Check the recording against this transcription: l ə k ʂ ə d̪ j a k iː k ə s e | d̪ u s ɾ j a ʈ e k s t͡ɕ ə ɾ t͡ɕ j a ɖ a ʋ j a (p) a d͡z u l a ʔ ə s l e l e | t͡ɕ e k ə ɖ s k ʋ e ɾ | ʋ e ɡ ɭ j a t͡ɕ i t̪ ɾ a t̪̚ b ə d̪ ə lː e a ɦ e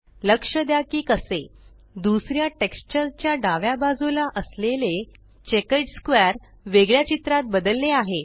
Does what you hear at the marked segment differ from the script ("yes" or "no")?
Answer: yes